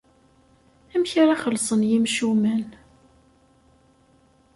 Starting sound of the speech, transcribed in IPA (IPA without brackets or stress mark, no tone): æ